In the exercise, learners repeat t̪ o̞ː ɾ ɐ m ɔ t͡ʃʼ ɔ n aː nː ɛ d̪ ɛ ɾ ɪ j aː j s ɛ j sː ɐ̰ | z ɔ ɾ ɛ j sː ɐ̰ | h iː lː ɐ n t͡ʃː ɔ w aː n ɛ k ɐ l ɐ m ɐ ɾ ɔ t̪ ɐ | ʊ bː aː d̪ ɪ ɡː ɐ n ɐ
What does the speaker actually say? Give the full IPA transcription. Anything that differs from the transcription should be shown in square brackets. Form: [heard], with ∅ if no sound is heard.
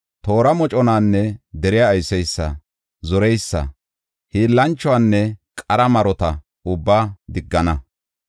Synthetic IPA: t̪ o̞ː ɾ ɐ m ɔ t͡ʃʼ ɔ n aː nː ɛ d̪ ɛ ɾ ɪ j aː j s ɛ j sː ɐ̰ | z ɔ ɾ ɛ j sː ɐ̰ | h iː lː ɐ n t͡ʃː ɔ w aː [nː] ɛ [kʼ] ɐ [ɾ] ɐ m ɐ ɾ ɔ t̪ ɐ | ʊ bː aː d̪ ɪ ɡː ɐ n ɐ